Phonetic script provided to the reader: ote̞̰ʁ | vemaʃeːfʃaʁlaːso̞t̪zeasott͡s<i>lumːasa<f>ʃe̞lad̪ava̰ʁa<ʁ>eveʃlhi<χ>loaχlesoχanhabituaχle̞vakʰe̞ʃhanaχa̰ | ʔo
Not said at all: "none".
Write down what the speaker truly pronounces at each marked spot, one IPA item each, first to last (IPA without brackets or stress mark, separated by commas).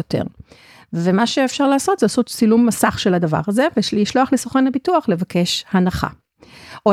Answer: i, χ, z, ʃ